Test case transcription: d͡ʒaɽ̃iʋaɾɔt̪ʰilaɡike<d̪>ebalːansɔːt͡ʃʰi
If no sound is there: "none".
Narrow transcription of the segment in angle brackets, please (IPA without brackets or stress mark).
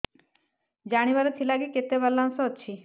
t̪